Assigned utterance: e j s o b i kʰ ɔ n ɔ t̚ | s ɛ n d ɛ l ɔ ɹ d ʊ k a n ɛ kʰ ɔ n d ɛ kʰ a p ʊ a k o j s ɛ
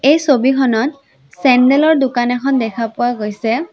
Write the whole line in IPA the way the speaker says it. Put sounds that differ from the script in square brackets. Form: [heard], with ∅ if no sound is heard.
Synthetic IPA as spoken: e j s o b i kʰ ɔ n ɔ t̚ | s ɛ n d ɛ l ɔ ɹ d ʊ k a n ɛ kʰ ɔ n d ɛ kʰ a p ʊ a [ɡ] o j s ɛ